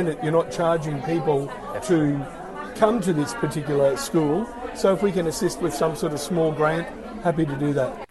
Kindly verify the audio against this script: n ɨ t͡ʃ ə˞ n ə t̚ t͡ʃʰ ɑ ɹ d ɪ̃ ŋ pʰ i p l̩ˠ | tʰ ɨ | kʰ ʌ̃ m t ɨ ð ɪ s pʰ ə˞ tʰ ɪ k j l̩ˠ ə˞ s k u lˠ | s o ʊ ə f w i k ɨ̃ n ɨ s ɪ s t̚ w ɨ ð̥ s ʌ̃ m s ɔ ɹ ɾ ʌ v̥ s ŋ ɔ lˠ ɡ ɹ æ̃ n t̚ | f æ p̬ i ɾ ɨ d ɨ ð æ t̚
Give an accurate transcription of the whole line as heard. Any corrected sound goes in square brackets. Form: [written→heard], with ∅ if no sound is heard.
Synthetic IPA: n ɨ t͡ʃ ə˞ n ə t̚ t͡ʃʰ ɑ ɹ [d→d͡ʒ] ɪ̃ ŋ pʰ i p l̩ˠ | tʰ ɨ | kʰ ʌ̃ m t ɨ ð ɪ s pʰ ə˞ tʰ ɪ k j l̩ˠ ə˞ s k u lˠ | s o ʊ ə f w i k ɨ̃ n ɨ s ɪ s t̚ w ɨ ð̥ s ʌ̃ m s ɔ ɹ ɾ ʌ v̥ s [ŋ→m] ɔ lˠ ɡ ɹ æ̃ n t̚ | [f→h] æ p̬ i ɾ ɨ d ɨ ð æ t̚